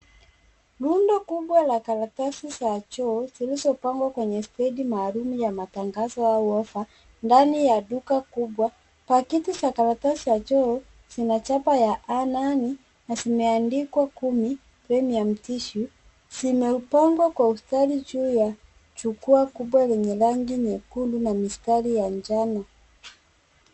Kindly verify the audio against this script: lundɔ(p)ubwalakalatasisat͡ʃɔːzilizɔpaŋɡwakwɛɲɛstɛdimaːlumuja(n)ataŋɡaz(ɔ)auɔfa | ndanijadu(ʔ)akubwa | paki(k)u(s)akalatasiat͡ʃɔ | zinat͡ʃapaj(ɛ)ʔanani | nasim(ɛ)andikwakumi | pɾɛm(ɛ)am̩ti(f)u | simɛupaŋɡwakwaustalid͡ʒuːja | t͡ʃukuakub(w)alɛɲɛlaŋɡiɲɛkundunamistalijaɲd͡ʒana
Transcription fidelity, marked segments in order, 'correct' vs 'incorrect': incorrect: k, incorrect: m, correct, incorrect: k, incorrect: t, correct, incorrect: a, correct, incorrect: i, incorrect: ʃ, correct

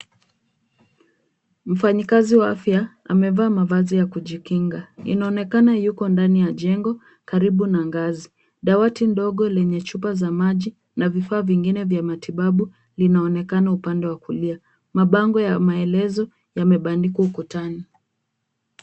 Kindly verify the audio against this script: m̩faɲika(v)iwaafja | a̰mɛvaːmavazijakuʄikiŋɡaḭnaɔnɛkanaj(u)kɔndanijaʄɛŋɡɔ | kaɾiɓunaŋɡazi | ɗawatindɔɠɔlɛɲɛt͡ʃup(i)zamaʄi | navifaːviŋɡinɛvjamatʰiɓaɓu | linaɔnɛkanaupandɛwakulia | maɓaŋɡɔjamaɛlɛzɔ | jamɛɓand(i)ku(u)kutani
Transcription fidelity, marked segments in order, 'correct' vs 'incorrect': incorrect: z, correct, incorrect: a, correct, correct

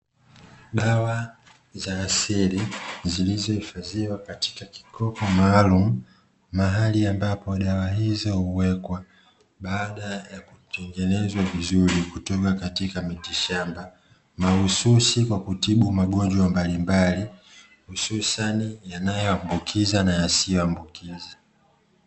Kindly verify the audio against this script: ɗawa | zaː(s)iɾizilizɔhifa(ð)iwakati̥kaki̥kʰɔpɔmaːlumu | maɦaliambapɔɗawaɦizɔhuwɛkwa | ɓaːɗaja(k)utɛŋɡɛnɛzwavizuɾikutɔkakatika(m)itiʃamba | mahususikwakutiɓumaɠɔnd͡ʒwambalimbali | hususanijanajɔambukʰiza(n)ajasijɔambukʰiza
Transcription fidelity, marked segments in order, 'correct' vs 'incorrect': correct, incorrect: z, correct, correct, correct

